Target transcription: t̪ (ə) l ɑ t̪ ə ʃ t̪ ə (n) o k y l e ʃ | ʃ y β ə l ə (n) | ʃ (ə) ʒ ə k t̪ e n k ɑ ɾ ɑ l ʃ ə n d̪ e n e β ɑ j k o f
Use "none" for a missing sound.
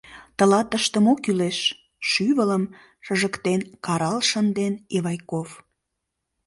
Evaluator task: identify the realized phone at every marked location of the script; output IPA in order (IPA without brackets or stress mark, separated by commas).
ə, m, m, ə